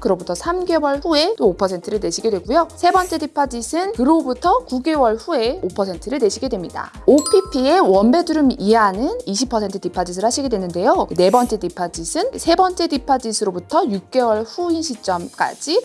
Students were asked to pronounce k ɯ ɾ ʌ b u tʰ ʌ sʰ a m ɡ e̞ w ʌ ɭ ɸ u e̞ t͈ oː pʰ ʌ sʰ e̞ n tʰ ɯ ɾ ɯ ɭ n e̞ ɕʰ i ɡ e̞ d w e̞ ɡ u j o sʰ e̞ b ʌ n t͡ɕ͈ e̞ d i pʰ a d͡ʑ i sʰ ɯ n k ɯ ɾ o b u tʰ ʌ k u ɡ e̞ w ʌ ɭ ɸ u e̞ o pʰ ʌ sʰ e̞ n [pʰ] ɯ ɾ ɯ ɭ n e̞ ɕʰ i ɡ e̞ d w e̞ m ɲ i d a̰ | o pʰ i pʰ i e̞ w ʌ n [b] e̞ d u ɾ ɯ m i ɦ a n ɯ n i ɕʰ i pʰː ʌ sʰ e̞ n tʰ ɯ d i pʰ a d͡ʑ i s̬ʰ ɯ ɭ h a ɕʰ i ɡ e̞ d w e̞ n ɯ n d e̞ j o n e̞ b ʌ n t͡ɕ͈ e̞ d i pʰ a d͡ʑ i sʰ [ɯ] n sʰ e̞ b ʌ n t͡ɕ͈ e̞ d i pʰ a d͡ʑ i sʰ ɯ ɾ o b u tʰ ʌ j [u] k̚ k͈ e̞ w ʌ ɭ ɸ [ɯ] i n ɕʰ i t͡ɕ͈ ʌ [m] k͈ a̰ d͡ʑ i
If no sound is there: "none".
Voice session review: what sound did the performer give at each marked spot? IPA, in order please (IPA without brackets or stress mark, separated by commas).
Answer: tʰ, b, ɯ, u, u, m